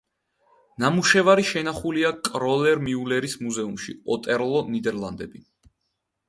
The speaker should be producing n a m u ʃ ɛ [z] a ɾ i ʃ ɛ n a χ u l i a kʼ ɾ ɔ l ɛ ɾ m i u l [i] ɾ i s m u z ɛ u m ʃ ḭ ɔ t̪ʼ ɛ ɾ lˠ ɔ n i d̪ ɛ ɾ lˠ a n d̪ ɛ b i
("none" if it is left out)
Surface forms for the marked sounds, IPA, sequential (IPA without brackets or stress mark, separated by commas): v, ɛ